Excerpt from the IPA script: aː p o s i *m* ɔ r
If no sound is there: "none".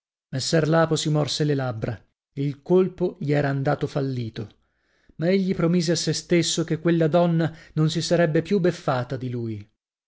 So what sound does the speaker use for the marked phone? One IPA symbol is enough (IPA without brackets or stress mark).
m